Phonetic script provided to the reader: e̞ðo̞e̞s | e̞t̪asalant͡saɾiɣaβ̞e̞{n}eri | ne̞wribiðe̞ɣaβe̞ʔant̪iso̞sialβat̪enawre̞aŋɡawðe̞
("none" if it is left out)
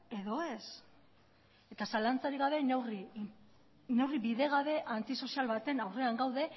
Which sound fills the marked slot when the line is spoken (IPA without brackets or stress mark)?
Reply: n